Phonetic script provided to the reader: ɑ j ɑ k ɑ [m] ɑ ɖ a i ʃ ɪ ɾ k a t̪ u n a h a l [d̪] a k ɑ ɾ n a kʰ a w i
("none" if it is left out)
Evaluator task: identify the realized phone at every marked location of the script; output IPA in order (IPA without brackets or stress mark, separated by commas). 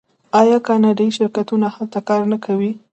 n, t̪